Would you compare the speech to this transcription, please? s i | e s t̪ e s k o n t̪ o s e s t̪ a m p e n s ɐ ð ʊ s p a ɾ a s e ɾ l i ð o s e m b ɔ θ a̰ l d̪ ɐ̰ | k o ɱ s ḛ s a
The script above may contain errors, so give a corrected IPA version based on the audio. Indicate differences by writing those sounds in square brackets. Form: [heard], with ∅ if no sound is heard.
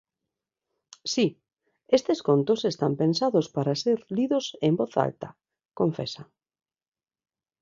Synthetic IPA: s i | e s t̪ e s k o n t̪ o s e s t̪ a m p e n s [a] ð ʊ s p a ɾ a s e ɾ l i ð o s e m b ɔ θ a̰ l [t̪] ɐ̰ | k o ɱ [f] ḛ s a